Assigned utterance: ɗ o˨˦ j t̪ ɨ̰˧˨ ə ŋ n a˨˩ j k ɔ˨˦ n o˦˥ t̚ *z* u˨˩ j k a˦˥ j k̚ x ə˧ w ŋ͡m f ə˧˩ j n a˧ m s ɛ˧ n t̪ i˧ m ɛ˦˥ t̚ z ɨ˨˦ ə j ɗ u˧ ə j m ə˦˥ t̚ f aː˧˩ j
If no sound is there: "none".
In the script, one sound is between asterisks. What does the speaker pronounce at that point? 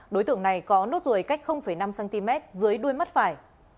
z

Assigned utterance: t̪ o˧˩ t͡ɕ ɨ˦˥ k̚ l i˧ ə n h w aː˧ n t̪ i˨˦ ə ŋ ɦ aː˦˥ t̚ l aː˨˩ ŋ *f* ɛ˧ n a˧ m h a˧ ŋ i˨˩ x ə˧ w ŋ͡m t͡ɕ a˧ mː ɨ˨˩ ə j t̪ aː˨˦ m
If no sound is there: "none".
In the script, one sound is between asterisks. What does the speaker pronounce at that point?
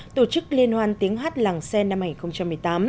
s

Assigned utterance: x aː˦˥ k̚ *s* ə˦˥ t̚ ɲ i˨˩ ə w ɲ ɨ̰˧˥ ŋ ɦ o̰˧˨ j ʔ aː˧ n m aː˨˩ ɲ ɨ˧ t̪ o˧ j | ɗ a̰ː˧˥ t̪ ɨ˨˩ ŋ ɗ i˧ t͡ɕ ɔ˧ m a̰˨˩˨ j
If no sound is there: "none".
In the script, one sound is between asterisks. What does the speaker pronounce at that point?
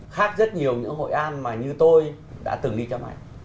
z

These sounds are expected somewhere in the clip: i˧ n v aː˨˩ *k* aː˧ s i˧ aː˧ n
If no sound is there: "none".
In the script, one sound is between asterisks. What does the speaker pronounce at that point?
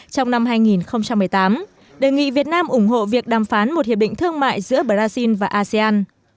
ʔ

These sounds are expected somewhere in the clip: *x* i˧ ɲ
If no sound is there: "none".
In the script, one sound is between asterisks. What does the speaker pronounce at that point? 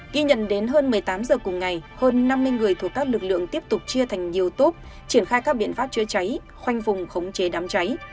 ɣ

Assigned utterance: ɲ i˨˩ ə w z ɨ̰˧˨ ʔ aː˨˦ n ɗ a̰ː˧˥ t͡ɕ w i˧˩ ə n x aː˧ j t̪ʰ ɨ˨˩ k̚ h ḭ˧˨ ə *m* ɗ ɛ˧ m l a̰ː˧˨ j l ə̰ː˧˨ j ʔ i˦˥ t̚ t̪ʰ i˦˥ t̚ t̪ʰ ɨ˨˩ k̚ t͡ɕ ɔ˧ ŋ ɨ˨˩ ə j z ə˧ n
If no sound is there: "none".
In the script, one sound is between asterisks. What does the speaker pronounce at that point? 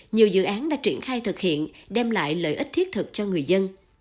n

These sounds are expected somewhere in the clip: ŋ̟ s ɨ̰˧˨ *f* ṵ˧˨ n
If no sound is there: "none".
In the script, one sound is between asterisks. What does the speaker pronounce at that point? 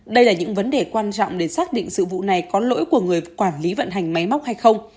v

